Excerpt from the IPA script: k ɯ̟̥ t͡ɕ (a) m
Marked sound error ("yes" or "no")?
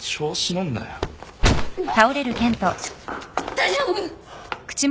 yes